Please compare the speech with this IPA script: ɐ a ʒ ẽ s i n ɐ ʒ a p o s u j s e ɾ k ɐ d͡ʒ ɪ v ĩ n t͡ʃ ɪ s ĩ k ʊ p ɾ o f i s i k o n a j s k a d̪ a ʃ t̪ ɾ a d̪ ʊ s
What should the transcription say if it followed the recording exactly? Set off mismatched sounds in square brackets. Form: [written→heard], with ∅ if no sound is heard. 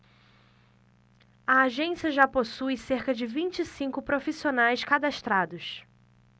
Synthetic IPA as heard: ɐ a ʒ ẽ s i [n→∅] ɐ ʒ a p o s u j s e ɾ k ɐ d͡ʒ ɪ v ĩ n t͡ʃ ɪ s ĩ k ʊ p ɾ o f i s i [k→∅] o n a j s k a d̪ a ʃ t̪ ɾ a d̪ ʊ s